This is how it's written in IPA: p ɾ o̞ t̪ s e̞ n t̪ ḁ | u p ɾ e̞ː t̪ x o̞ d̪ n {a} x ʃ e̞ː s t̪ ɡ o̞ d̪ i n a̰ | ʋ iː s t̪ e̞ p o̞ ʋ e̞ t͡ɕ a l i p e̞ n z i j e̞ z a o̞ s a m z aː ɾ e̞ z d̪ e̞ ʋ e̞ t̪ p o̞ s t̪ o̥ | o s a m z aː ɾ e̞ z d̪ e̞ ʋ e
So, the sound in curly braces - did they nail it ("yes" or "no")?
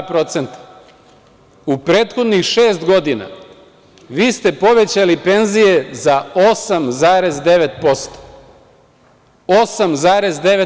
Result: no